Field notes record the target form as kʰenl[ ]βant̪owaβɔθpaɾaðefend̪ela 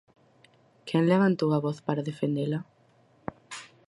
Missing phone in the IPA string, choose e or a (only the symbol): e